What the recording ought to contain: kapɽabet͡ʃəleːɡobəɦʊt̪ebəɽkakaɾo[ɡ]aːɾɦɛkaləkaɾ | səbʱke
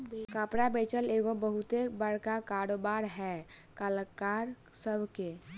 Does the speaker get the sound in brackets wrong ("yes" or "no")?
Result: yes